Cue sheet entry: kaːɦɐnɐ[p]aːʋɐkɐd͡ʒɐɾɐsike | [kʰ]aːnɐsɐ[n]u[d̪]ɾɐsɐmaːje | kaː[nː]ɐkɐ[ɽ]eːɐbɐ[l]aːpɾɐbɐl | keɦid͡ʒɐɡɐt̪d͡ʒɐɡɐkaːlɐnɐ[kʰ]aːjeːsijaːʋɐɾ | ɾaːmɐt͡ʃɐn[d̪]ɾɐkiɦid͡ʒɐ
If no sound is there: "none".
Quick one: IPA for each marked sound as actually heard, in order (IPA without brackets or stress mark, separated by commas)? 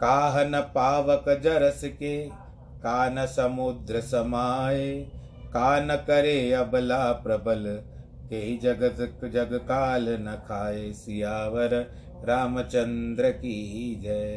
p, k, m, d̪, n, ɾ, l, kʰ, d̪